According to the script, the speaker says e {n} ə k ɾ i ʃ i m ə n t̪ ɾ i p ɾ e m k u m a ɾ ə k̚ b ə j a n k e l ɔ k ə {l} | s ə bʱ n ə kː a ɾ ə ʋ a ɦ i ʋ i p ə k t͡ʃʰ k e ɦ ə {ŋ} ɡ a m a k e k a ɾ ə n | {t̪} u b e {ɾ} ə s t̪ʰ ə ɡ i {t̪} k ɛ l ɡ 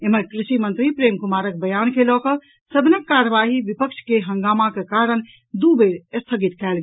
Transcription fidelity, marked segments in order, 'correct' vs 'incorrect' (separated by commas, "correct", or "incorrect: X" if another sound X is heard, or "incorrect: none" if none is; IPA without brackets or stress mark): incorrect: m, incorrect: none, correct, incorrect: d̪, correct, correct